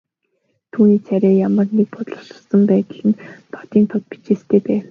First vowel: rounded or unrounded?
rounded